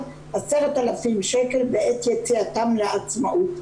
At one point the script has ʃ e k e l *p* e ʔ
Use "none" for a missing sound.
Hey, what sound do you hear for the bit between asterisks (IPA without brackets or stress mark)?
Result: b